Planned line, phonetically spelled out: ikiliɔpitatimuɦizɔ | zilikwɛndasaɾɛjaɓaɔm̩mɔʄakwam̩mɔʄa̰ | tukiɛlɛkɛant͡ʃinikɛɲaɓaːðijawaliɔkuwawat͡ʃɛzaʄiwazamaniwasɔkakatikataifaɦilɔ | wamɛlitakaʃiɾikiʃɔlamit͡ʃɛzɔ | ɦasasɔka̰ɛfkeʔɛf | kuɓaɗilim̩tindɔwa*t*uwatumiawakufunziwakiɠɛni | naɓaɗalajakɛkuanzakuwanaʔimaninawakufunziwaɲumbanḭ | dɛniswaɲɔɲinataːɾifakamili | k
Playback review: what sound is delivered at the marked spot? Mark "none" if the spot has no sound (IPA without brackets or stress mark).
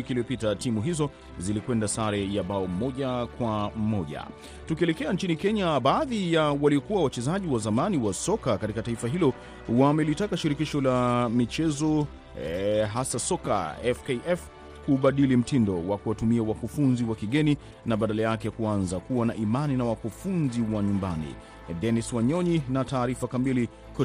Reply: k